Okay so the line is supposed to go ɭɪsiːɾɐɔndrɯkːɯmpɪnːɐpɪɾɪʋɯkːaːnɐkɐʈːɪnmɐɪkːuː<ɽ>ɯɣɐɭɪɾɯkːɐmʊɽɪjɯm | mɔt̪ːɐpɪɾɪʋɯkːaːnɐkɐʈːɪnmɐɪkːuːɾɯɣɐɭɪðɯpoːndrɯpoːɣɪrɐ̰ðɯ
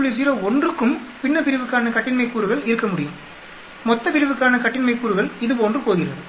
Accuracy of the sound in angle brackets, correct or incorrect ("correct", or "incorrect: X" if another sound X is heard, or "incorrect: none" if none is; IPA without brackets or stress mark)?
incorrect: ɾ